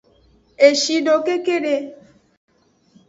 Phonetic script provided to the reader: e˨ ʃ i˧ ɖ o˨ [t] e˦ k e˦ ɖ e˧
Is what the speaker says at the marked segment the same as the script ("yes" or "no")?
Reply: no